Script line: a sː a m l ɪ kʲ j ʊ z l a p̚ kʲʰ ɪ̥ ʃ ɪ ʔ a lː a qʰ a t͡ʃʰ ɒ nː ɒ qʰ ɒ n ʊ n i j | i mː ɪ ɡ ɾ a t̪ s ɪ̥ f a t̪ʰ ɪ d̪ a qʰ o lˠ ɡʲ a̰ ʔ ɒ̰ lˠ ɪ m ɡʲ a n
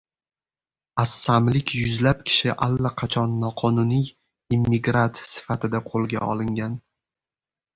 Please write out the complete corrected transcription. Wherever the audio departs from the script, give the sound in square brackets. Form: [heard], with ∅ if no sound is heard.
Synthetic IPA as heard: a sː a m l ɪ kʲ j ʊ z l a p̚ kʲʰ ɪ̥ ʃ ɪ ʔ a lː a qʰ [ɑ] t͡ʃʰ ɒ nː ɒ qʰ ɒ n ʊ n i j | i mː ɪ ɡ ɾ a t̪ s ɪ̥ f a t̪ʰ ɪ d̪ a qʰ o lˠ ɡʲ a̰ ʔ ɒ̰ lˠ ɪ [ŋ] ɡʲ a n